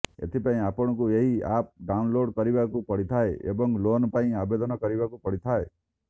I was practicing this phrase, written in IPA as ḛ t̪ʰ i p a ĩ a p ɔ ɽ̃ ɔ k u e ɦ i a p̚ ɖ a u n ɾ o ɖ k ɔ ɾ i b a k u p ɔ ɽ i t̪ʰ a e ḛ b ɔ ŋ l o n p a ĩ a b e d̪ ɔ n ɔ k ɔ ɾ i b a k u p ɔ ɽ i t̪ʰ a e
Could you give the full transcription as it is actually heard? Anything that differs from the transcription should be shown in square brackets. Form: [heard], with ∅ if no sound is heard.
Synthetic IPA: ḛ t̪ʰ i p a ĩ a p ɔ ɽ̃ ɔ k u e ɦ i a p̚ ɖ a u n [l] o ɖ k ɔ ɾ i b a k u p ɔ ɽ i t̪ʰ a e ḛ b ɔ ŋ l o n p a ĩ a b e d̪ ɔ n ɔ k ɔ ɾ i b a k u p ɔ ɽ i t̪ʰ a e